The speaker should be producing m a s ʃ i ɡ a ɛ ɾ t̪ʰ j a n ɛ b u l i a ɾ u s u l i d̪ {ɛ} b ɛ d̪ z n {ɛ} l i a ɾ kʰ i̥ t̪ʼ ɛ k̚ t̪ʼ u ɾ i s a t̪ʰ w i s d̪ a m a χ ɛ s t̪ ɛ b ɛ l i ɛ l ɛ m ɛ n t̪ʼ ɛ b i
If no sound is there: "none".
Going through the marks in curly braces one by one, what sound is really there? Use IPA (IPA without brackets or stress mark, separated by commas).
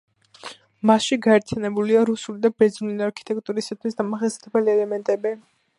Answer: a, i